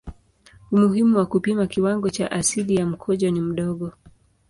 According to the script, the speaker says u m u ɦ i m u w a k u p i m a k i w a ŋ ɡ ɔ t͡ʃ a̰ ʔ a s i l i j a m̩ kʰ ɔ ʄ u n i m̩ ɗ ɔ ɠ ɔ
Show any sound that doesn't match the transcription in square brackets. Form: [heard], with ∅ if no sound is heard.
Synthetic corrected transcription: u m u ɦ i m u w a k u p i m a k i w a ŋ ɡ ɔ t͡ʃ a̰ ʔ a s i l i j a m̩ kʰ ɔ ʄ [ɔ] n i m̩ ɗ ɔ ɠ ɔ

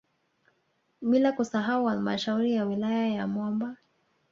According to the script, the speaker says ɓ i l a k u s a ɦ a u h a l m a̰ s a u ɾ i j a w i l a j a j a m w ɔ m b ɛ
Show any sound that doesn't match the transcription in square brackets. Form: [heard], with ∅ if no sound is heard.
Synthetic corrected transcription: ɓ i l a k u s a ɦ a u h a l m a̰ [ʃ] a u ɾ i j a w i l a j a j a m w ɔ m b [a]

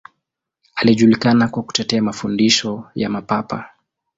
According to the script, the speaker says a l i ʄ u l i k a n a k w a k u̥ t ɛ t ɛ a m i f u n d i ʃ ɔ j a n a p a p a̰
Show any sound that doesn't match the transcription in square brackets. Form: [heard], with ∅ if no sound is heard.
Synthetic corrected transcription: a l i ʄ u l i k a n a k w a k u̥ t ɛ t ɛ a m [a] f u n d i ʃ ɔ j a [m] a p a p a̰

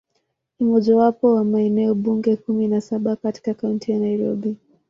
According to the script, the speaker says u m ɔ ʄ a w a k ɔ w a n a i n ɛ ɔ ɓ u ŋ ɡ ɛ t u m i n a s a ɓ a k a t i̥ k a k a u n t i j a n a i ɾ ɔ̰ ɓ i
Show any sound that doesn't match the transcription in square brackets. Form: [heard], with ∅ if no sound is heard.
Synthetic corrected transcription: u m ɔ ʄ a w a [p] ɔ w a [m] a [ɛ] n ɛ ɔ ɓ u ŋ ɡ ɛ [k] u m i n a s a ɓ a k a t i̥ k a k a u n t i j a n a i ɾ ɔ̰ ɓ i

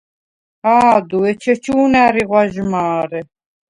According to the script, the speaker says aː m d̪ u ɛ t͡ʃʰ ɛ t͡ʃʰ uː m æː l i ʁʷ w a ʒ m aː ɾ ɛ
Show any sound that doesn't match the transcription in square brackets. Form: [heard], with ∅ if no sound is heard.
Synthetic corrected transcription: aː [∅] d̪ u ɛ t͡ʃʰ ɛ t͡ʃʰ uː [n] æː [ɾ] i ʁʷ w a ʒ m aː ɾ ɛ

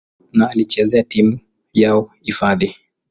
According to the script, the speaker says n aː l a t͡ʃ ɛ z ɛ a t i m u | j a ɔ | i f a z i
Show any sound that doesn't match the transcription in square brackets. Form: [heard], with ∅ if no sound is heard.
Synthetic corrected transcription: n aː l [i] t͡ʃ ɛ z ɛ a t i m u | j a ɔ | i f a [ð] i

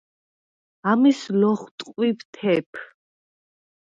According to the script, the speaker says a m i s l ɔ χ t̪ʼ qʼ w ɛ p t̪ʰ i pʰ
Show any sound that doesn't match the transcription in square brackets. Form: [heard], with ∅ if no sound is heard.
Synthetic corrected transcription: a m i s l ɔ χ t̪ʼ qʼ w [i] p t̪ʰ [ɛ] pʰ

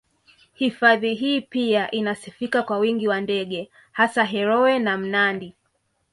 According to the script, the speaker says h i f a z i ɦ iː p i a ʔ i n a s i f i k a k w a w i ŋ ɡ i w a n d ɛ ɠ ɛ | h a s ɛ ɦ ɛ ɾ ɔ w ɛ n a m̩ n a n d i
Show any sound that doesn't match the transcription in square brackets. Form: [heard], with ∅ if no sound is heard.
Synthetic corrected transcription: h i f a [ð] i ɦ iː p i a ʔ i n a s i f i k a k w a w i ŋ ɡ i w a n d ɛ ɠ ɛ | h a s [a] ɦ ɛ ɾ ɔ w ɛ n a m̩ n a n d i

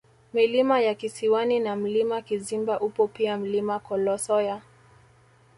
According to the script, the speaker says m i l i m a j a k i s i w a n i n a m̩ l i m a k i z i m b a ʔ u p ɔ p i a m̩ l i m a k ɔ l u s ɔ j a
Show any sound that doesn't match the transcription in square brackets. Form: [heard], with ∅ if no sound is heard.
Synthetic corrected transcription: m i l i m a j a k i s i w a n i n a m̩ l i m a k i z i m b a ʔ u p ɔ p i a m̩ l i m a k ɔ l [ɔ] s ɔ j a

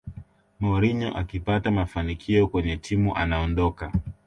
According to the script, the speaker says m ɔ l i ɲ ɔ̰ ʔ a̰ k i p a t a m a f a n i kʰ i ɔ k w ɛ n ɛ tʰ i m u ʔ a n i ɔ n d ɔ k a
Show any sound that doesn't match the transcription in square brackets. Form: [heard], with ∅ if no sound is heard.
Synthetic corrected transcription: m ɔ [ɾ] i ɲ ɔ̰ ʔ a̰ k i p a t a m a f a n i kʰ i ɔ k w ɛ [ɲ] ɛ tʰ i m u ʔ a n [a] ɔ n d ɔ k a

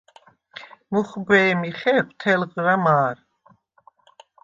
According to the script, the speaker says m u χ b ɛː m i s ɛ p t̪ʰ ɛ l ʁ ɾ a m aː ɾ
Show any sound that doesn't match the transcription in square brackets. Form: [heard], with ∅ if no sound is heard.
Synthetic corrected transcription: m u χ b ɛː m i [χ] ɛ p t̪ʰ ɛ l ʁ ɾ a m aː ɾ

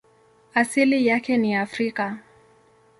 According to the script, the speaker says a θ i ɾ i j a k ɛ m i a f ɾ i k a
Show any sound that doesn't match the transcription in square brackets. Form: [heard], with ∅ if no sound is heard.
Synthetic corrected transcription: a [s] i [l] i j a k ɛ [n] i a f ɾ i k a

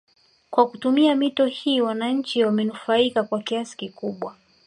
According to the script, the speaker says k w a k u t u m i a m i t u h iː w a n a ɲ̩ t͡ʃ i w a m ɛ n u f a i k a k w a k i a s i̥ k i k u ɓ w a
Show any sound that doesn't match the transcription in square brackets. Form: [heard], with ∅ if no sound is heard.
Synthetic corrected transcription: k w a k u t u m i a m i t [ɔ] h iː w a n a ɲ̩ t͡ʃ i w a m ɛ n u f a i k a k w a k i a s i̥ k i k u ɓ w a

